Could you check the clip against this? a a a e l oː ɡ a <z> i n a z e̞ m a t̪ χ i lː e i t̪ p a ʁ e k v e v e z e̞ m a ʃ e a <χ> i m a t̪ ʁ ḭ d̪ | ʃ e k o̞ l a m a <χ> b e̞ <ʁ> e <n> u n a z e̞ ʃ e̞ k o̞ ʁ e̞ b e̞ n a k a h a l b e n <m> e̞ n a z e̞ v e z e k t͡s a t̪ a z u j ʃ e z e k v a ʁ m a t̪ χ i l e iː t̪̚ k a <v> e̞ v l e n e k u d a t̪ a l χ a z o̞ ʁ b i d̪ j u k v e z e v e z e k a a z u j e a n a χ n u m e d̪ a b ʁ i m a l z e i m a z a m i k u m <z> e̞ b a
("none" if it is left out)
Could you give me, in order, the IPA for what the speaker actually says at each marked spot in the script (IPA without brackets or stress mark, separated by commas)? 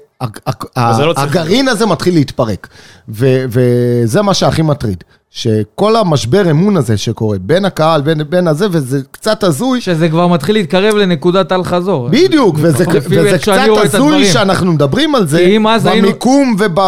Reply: ʁ, χ, ʃ, ʁ, m, b, ʁ, v